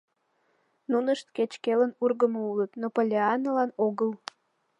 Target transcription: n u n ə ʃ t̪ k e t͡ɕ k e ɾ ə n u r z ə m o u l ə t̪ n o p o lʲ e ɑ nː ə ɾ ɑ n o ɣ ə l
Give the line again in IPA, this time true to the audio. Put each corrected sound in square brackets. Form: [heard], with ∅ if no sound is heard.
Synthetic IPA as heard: n u n ə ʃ t̪ k e t͡ɕ k e [l] ə n u r [ɣ] ə m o u l ə t̪ n o p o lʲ e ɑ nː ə [l] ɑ n o ɣ ə l

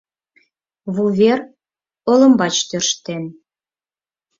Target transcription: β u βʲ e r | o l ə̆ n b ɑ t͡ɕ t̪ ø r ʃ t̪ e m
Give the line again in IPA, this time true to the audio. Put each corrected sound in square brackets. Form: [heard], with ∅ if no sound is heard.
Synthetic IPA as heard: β u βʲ e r | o l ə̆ [m] b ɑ t͡ɕ t̪ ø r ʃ t̪ e [n]

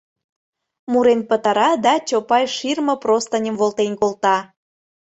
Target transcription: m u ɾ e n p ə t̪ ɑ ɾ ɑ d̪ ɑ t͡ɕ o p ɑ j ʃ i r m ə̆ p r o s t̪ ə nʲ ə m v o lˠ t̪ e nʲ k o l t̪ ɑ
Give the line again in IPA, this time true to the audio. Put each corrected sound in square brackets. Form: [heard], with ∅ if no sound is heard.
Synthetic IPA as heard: m u ɾ e n p ə t̪ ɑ ɾ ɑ d̪ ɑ t͡ɕ o p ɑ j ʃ i r m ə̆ p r o s t̪ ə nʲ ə m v o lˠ t̪ e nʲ k o l t̪ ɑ

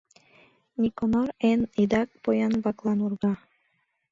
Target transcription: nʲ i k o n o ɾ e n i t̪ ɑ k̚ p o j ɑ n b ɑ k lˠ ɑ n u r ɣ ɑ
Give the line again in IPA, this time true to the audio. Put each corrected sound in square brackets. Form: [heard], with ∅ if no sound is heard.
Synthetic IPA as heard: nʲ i k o n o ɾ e n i [d̪] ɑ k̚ p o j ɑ n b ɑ k lˠ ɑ n u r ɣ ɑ

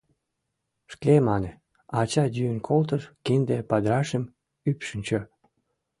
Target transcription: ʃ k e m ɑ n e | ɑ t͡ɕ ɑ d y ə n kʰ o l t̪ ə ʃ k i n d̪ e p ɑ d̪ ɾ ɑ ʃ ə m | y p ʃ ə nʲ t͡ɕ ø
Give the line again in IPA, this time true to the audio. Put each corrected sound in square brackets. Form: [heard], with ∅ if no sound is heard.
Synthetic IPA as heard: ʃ k e m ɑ n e | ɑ t͡ɕ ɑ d y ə n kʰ o l t̪ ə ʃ k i n d̪ e p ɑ d̪ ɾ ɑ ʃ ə m | y p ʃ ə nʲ t͡ɕ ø

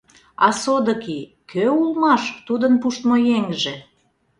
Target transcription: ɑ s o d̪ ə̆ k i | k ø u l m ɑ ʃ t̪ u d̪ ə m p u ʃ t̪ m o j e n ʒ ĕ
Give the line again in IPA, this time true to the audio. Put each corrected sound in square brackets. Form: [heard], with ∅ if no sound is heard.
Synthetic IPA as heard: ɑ s o d̪ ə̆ k i | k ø u l m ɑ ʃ t̪ u d̪ ə [n] p u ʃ t̪ m o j e [ŋ] ʒ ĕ

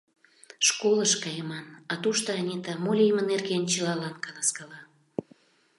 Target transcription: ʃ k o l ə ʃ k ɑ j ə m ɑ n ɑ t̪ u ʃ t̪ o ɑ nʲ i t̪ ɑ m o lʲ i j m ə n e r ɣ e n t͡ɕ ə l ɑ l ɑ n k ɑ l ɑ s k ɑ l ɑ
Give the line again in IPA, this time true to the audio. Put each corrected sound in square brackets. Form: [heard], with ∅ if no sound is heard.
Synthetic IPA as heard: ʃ k o l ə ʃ k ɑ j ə m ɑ n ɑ t̪ u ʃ t̪ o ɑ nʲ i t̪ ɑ m o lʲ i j m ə n e r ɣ e n t͡ɕ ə l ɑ l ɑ n k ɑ l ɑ s k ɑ l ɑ

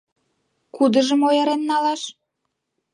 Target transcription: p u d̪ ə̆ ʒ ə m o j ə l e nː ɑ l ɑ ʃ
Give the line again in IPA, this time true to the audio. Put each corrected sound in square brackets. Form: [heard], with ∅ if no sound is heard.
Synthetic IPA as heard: [k] u d̪ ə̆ ʒ ə m o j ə [ɾ] e nː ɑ l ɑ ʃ

